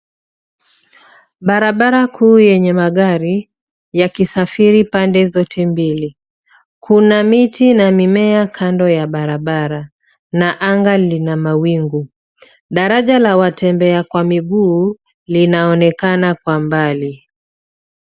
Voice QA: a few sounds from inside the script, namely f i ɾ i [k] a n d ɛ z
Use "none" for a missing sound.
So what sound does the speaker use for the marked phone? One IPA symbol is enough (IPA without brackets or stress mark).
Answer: p